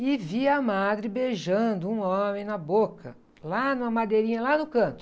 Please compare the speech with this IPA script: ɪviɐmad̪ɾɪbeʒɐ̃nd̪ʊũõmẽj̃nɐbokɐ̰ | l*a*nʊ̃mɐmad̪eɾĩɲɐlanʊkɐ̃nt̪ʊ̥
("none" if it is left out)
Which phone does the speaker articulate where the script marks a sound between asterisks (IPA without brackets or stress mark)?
a